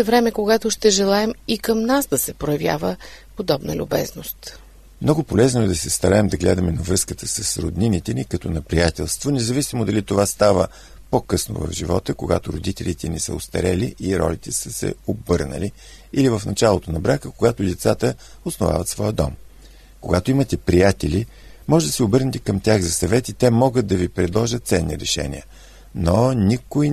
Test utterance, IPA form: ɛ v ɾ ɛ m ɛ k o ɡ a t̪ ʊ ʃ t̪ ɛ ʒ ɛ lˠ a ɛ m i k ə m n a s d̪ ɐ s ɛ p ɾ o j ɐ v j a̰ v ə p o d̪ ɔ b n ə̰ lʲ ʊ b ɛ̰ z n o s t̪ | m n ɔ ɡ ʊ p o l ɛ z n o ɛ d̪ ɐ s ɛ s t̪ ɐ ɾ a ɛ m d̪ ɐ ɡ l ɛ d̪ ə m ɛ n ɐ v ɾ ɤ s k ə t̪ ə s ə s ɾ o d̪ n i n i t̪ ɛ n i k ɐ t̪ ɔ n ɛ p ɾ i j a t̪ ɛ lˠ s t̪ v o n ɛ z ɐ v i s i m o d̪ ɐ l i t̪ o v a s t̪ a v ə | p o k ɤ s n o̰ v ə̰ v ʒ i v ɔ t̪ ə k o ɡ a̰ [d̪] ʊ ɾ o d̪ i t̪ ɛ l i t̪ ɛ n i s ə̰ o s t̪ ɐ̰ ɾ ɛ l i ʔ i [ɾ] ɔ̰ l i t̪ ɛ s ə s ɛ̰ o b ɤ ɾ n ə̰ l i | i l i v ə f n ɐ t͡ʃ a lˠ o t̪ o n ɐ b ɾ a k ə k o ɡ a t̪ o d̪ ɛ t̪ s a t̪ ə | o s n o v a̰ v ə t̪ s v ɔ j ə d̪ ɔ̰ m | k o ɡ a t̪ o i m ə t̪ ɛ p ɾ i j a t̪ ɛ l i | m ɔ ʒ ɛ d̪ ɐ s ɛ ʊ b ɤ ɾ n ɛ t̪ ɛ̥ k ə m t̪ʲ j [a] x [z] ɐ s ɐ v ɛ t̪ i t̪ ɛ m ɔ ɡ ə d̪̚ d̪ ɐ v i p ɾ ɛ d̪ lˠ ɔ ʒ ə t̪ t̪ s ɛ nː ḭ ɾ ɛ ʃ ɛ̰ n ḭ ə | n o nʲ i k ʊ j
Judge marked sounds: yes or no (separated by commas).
no, yes, yes, yes